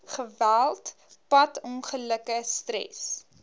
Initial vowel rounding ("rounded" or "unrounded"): unrounded